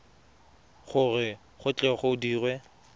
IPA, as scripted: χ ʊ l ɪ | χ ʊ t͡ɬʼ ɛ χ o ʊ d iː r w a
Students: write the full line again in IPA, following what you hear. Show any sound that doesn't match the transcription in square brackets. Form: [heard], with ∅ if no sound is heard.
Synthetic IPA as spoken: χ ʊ [r] ɪ | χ ʊ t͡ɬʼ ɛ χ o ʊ d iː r w [ɛ]